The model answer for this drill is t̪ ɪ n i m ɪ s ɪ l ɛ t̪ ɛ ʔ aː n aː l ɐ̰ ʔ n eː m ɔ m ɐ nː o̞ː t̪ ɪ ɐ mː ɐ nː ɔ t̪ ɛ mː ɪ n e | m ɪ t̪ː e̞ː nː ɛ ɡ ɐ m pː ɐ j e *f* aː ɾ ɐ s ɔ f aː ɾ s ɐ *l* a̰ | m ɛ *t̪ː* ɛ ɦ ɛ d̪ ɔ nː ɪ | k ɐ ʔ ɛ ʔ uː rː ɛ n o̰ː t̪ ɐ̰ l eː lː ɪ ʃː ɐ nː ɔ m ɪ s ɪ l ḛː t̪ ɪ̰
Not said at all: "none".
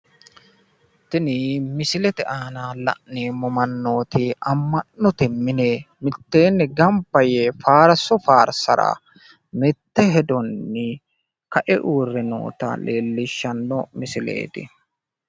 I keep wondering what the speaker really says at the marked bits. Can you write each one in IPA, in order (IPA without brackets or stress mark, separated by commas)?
f, ɾ, t̪ː